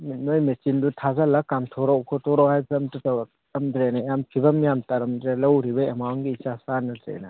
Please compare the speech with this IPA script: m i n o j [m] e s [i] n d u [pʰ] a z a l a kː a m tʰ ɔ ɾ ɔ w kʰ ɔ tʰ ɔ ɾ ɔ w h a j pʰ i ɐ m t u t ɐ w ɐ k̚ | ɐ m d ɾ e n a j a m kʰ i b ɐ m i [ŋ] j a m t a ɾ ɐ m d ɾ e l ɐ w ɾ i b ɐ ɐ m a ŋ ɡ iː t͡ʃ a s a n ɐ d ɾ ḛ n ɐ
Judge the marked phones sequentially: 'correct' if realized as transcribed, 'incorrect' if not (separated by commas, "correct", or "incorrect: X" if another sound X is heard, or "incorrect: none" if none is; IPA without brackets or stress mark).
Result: correct, correct, incorrect: tʰ, incorrect: none